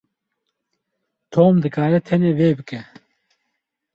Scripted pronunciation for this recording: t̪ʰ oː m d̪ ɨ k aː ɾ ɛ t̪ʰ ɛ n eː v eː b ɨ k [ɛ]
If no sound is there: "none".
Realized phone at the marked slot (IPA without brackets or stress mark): ɛ